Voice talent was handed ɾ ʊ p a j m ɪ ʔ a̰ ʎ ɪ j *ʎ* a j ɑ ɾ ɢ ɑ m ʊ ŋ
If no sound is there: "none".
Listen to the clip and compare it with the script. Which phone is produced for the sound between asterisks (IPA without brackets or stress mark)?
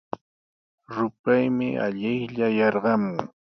ʎ